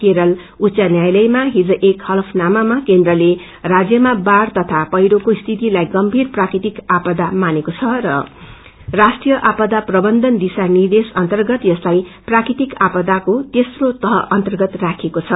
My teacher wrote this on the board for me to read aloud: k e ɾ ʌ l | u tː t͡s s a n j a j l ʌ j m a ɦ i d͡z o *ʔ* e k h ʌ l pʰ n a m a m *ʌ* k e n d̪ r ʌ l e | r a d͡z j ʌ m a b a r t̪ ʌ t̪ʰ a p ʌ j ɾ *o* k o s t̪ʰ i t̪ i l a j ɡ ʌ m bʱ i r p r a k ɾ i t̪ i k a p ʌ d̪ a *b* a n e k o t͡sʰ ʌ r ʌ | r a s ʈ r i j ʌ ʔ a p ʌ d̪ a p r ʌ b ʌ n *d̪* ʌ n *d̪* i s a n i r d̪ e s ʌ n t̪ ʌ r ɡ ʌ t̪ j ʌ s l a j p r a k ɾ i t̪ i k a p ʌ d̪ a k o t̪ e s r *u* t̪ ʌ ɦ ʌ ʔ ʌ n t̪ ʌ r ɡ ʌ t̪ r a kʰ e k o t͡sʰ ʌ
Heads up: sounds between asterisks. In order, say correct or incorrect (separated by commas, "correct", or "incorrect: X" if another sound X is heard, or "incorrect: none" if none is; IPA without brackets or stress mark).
correct, incorrect: a, correct, incorrect: m, correct, correct, incorrect: o